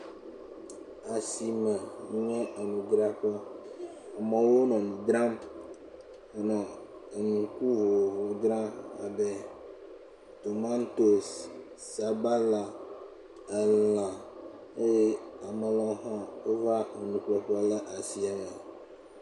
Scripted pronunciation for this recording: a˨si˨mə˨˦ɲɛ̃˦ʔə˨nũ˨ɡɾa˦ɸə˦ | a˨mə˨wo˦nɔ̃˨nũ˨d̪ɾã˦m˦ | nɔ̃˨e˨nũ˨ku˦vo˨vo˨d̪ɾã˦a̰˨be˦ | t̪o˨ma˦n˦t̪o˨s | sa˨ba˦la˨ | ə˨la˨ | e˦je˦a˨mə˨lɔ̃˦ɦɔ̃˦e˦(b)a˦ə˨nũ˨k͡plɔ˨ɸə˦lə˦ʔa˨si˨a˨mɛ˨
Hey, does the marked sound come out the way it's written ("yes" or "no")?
no